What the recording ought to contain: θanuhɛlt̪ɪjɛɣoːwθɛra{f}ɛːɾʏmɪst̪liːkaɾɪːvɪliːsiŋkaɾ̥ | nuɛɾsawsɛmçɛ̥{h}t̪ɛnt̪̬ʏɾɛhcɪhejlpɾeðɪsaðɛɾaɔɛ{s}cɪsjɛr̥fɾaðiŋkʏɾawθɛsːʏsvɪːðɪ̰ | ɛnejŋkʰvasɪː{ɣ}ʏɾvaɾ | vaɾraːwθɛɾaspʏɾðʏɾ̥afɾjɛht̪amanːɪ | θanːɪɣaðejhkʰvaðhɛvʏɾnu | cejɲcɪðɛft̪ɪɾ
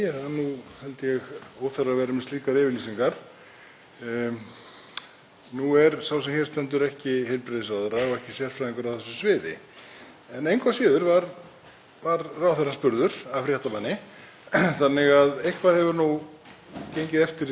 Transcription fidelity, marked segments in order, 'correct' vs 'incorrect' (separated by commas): incorrect, incorrect, incorrect, incorrect